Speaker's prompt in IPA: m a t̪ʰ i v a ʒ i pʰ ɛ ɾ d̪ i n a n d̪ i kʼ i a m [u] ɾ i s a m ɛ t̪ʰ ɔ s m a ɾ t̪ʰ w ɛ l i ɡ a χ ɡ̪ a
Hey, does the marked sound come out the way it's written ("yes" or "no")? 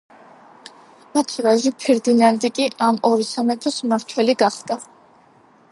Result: no